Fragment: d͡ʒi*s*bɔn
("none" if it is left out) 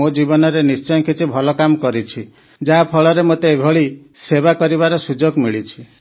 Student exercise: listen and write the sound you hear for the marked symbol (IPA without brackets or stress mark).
none